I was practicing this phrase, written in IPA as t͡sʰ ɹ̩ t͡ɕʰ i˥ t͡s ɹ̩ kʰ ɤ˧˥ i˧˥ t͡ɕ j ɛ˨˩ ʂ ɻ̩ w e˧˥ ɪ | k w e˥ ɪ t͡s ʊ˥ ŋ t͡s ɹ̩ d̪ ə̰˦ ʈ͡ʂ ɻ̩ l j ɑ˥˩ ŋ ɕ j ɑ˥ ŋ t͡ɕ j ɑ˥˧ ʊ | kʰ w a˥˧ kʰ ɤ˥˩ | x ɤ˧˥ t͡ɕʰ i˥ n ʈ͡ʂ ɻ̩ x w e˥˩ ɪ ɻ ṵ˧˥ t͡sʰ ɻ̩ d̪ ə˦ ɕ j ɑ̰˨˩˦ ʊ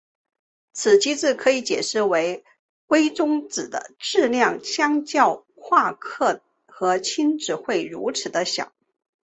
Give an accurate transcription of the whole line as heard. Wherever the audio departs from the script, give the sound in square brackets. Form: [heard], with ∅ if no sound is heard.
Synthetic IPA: t͡sʰ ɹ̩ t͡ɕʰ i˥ t͡s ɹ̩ kʰ ɤ˧˥ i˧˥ t͡ɕ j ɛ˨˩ ʂ ɻ̩ w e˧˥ ɪ | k w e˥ ɪ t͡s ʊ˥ ŋ t͡s ɹ̩ d̪ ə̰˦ ʈ͡ʂ ɻ̩ l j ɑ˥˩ ŋ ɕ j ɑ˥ ŋ t͡ɕ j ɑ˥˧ ʊ | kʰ w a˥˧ kʰ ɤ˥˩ | x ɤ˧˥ t͡ɕʰ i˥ n ʈ͡ʂ ɻ̩ x w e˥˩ ɪ ɻ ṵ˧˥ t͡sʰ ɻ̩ d̪ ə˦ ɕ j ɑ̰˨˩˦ ʊ